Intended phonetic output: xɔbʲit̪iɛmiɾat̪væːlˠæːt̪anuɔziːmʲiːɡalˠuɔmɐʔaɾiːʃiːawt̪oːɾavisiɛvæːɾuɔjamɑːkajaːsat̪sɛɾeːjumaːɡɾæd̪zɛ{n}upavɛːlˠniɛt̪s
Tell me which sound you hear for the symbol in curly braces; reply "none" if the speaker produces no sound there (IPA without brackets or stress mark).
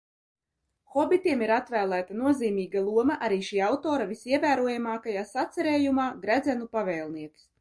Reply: n